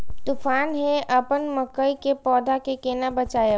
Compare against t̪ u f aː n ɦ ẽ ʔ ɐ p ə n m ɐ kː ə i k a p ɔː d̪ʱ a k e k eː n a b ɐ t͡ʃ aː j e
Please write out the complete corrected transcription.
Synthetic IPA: t̪ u f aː n ɦ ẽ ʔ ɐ p ə n m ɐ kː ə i k e p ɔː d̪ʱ a k e k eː n a b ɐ t͡ʃ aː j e